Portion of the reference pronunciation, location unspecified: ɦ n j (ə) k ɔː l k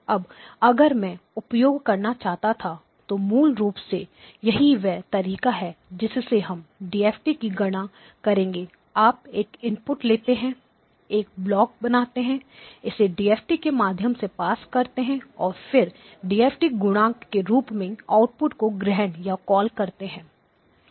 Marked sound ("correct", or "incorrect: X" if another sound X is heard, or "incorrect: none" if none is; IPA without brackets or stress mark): incorrect: a